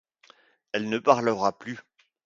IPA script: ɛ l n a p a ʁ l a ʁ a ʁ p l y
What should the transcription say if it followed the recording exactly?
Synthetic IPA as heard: ɛ l n ə p a ʁ l ə ʁ a p l y